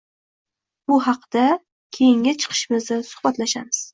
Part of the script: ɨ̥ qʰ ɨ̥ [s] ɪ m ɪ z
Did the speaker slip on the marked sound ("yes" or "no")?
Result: yes